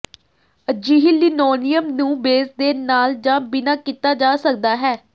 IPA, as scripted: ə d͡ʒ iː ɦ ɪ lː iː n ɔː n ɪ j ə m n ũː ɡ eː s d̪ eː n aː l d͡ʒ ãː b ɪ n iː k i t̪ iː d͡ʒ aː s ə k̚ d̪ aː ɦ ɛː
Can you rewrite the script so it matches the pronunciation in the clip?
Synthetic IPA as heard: ə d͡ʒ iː ɦ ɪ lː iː n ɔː n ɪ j ə m n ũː b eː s d̪ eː n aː l d͡ʒ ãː b ɪ n aː k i t̪ aː d͡ʒ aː s ə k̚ d̪ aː ɦ ɛː